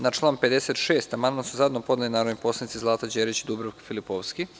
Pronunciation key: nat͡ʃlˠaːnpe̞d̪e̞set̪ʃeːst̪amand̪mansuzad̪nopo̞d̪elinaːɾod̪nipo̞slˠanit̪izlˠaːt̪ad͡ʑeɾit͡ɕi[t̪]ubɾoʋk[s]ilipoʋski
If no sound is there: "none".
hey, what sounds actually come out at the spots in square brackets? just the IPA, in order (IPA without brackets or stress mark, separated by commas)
d̪, f